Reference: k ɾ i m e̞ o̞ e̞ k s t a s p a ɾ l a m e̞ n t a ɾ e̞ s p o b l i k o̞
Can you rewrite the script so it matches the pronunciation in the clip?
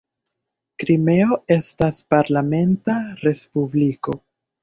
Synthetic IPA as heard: k ɾ i m e̞ o̞ e̞ s t a s p a ɾ l a m e̞ n t a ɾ e̞ s p u b l i k o̞